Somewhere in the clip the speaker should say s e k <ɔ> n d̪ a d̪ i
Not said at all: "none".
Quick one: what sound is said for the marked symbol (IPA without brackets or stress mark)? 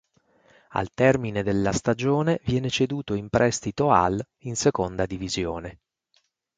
o